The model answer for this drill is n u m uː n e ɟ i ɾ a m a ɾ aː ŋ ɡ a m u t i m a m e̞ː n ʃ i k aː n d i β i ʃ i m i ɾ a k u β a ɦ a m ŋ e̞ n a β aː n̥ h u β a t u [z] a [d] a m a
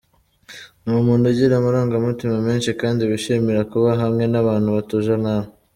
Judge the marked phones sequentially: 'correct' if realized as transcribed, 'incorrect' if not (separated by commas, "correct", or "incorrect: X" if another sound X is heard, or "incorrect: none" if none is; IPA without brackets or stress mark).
incorrect: ʒ, incorrect: n